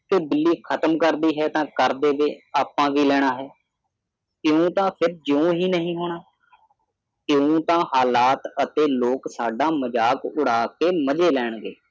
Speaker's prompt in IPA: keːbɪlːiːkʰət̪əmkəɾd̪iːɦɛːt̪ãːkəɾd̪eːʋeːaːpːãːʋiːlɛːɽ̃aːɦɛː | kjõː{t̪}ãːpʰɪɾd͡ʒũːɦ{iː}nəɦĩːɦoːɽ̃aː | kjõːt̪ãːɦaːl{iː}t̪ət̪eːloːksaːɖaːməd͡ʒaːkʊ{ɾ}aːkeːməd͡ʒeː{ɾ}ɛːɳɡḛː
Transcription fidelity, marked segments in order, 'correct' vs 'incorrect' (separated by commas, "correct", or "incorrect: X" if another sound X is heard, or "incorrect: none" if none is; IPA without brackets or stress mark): correct, correct, incorrect: aː, incorrect: ɽ, incorrect: l